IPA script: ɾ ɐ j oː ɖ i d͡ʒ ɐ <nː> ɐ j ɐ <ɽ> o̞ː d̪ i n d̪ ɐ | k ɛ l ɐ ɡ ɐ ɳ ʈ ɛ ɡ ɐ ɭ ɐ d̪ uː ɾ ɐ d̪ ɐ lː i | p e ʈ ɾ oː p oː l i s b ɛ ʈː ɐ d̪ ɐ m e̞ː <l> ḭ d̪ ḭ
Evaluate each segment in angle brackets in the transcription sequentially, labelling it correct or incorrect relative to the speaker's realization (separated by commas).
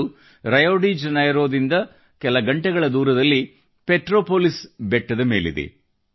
incorrect, incorrect, correct